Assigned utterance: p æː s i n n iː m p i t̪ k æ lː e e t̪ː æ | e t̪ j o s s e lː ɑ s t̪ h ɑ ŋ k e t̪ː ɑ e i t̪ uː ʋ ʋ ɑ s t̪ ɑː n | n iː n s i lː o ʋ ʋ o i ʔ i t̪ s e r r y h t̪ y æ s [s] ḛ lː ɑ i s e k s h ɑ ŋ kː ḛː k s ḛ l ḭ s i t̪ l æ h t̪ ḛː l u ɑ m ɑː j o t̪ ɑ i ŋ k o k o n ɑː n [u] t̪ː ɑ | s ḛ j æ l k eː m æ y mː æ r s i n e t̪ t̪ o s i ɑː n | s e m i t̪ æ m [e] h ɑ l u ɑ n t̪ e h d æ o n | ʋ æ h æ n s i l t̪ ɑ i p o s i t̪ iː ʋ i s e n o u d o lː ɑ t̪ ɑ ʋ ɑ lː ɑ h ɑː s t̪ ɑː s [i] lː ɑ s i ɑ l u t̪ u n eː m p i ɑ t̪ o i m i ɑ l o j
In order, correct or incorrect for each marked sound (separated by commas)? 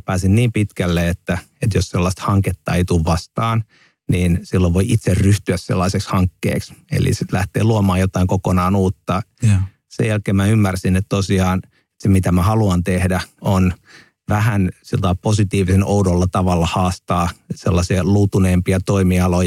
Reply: correct, incorrect, incorrect, incorrect